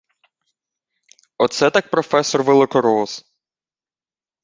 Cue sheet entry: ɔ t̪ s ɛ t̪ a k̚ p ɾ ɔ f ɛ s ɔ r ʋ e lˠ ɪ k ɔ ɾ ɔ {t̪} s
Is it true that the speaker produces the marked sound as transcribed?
no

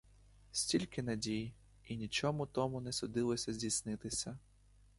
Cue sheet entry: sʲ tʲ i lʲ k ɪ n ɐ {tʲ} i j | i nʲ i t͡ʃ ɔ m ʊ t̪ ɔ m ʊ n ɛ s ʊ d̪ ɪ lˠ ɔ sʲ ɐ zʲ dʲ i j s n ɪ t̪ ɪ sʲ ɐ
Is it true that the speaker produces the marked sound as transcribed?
no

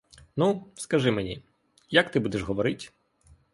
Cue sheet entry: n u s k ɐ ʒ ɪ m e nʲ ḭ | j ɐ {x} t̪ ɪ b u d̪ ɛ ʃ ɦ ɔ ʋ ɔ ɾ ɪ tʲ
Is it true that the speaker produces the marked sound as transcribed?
no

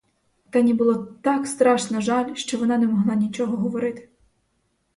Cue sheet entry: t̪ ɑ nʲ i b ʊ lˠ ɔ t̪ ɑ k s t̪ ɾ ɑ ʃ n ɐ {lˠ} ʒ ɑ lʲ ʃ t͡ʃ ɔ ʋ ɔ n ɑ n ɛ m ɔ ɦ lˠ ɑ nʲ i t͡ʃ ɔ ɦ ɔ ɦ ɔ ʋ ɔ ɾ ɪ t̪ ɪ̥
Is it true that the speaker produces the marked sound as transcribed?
no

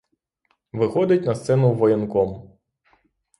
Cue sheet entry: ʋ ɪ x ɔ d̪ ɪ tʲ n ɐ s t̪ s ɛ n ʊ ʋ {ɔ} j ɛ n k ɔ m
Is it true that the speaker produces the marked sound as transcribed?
yes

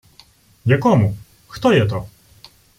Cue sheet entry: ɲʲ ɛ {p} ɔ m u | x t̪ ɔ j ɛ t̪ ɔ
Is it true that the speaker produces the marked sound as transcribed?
no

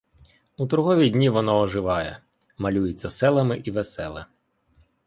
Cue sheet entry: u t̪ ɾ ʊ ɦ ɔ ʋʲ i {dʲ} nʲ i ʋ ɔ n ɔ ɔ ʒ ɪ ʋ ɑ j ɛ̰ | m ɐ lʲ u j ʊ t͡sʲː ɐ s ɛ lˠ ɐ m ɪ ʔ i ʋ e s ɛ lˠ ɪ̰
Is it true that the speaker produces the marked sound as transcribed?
yes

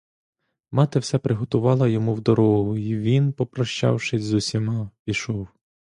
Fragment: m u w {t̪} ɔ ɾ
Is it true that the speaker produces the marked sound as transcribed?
no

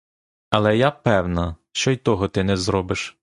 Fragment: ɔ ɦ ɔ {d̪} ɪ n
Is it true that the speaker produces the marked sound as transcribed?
no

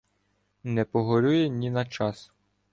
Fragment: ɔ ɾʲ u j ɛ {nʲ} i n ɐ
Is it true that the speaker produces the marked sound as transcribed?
yes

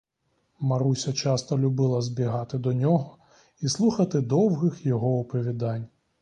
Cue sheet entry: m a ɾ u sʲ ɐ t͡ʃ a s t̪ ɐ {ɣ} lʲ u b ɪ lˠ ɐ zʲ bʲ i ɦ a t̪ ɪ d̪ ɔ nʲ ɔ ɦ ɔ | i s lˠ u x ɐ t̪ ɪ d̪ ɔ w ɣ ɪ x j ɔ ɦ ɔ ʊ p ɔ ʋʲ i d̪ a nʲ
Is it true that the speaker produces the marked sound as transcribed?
no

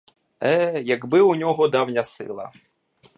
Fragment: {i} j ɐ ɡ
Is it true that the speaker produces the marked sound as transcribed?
no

